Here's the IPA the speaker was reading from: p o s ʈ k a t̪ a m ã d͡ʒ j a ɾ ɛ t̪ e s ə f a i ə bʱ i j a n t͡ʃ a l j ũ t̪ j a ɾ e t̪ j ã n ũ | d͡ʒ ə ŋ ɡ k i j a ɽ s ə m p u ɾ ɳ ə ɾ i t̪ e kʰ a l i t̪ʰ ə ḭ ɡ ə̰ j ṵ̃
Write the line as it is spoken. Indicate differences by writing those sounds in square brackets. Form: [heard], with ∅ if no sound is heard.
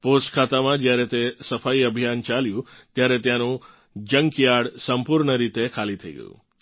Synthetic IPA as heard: p o s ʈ [kʰ] a t̪ a m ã d͡ʒ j a ɾ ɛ t̪ e s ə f a i ə bʱ i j a n t͡ʃ a l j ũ t̪ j a ɾ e t̪ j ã n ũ | d͡ʒ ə ŋ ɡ k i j a ɽ s ə m p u ɾ ɳ ə ɾ i t̪ e kʰ a l i t̪ʰ ə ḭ ɡ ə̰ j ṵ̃